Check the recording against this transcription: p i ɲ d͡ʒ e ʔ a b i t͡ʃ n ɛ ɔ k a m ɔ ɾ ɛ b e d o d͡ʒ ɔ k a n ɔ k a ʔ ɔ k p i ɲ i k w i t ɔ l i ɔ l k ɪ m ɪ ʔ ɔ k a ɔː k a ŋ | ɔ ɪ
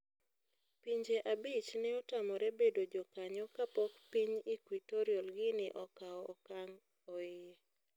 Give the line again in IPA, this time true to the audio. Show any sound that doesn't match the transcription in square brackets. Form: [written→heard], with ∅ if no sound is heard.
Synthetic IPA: p i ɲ d͡ʒ e ʔ a b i t͡ʃ n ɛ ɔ [k→t] a m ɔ ɾ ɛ b e d o d͡ʒ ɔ k a [n→ɲ] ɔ k a [ʔ→p] ɔ k p i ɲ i k w i t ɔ [l→ɾ] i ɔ l [k→ɡ] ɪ [m→n] ɪ ʔ ɔ k a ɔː k a ŋ | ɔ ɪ